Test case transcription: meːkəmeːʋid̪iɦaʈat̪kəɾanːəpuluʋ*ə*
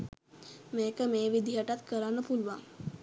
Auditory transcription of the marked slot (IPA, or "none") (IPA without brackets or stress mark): a